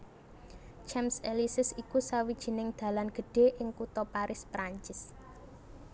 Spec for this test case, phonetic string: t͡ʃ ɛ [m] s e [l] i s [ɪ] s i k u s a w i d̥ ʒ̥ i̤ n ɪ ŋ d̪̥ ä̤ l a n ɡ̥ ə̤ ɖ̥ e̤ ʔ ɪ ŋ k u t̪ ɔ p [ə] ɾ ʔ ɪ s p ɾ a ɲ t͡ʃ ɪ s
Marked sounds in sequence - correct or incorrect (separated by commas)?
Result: correct, correct, correct, incorrect